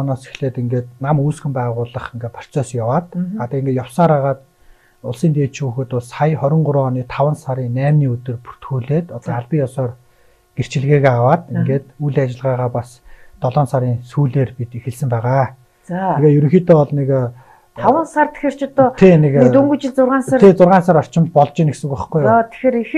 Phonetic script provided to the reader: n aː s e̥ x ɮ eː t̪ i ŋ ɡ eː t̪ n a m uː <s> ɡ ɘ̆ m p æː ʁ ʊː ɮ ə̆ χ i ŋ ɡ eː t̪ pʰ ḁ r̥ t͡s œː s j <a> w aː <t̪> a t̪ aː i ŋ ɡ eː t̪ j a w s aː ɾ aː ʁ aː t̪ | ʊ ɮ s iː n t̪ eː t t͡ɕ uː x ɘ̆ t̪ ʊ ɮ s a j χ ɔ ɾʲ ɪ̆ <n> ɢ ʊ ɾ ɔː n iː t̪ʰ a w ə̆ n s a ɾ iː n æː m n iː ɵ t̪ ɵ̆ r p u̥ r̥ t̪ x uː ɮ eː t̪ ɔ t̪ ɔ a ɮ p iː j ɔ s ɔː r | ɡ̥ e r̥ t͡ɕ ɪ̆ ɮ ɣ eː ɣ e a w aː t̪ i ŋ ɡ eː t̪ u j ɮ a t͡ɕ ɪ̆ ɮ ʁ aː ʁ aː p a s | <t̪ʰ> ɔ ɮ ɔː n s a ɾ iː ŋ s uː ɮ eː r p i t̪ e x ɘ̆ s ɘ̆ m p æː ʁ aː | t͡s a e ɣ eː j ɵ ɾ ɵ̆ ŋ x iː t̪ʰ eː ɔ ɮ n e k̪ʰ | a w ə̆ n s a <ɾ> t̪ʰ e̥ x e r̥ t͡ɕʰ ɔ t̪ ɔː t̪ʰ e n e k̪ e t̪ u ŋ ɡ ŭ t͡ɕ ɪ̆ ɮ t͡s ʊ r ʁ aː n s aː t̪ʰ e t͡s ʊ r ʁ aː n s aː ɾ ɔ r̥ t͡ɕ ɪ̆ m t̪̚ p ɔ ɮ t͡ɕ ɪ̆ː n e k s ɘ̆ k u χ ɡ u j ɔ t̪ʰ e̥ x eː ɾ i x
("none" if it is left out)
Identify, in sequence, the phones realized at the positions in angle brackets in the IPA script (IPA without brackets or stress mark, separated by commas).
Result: s, a, t̪, ɴ, t̪, r